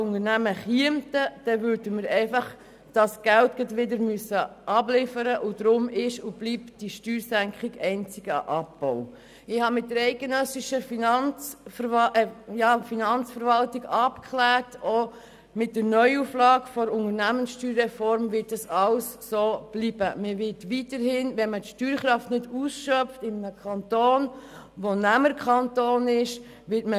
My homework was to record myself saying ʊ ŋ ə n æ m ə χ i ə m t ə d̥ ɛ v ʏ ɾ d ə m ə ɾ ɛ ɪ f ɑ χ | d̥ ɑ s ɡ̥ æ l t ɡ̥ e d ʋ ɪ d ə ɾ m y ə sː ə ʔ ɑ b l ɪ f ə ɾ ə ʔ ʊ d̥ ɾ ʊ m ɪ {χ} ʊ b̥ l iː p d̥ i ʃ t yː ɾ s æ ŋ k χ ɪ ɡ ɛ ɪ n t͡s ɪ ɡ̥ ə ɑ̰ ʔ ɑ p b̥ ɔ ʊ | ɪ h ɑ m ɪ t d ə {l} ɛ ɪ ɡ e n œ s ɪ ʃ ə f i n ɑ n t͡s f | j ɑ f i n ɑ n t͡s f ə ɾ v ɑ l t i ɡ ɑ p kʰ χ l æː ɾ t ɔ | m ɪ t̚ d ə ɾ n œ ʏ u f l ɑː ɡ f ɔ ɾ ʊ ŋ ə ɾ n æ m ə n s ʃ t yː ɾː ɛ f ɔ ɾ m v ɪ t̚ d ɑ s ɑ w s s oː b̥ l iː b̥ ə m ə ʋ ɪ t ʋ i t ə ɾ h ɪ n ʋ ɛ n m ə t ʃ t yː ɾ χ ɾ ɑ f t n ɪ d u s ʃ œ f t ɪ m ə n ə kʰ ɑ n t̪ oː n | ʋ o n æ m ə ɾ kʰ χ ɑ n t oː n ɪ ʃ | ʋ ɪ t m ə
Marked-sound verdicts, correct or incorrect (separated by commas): incorrect, incorrect